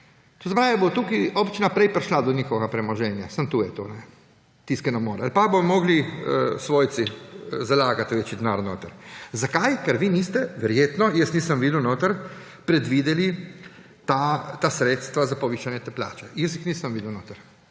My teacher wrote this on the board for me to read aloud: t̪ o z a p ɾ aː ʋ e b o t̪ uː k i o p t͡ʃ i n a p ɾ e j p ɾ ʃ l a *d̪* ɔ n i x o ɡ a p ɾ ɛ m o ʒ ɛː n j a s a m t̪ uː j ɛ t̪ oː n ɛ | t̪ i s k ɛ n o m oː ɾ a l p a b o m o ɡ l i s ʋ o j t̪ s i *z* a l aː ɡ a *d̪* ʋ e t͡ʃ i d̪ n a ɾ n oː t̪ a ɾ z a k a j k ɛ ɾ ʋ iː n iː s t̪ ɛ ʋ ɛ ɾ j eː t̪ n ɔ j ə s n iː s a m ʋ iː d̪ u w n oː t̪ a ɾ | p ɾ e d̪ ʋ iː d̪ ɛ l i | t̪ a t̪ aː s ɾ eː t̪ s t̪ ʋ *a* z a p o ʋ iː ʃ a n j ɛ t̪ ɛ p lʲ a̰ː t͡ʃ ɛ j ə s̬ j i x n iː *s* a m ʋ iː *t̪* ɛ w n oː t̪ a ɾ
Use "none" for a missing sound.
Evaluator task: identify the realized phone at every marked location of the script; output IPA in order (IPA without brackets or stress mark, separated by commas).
d̪, z, t̪, a, s, d̪